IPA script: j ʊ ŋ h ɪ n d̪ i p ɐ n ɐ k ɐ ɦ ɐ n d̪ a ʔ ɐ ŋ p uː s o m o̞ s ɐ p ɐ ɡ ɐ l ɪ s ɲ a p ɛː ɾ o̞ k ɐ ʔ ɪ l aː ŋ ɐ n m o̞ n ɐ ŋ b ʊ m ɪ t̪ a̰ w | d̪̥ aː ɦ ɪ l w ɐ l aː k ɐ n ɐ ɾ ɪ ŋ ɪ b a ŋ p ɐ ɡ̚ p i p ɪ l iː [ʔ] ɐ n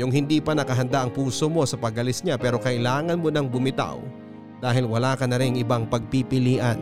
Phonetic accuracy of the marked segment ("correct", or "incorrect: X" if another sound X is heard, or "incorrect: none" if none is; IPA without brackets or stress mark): correct